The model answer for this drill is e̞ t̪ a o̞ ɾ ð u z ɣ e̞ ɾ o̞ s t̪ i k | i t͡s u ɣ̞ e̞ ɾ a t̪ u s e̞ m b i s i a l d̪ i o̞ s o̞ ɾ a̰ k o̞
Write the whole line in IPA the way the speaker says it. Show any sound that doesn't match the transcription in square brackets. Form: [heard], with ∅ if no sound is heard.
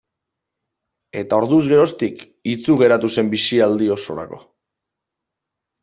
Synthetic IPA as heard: e̞ t̪ a o̞ ɾ ð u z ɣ e̞ ɾ o̞ s t̪ i k | i t͡s u ɣ̞ e̞ ɾ a t̪ u s e̞ m b i s i a l d̪ i o̞ s o̞ ɾ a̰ k o̞